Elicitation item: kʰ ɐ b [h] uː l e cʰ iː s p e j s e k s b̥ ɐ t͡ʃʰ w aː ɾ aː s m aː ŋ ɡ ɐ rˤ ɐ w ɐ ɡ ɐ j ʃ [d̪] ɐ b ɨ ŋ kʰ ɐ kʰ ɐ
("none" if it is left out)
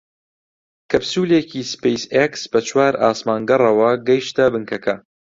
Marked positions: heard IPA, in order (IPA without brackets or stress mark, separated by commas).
s, t̪